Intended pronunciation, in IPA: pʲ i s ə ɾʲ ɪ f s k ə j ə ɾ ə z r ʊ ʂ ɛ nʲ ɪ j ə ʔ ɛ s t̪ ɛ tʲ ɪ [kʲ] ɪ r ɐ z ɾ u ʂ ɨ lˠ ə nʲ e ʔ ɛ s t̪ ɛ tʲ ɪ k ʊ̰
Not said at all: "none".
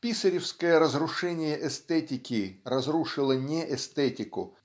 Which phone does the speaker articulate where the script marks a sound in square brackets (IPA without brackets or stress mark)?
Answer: kʲ